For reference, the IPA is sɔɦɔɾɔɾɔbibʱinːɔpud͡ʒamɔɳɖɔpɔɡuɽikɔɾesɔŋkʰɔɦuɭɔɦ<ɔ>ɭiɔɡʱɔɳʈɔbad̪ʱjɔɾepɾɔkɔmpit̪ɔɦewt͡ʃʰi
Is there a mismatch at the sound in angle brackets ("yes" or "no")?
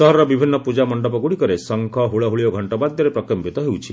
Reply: yes